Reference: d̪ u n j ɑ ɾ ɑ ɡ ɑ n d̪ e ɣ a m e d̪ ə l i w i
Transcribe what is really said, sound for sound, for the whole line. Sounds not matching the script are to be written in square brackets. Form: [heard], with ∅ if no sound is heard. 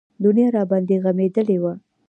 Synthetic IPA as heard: d̪ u n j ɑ ɾ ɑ [b] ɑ n d̪ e ɣ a m e d̪ ə l [e] w [a]